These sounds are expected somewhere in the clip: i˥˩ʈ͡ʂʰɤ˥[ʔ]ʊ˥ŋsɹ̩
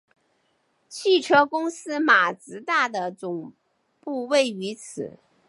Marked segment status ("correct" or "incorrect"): incorrect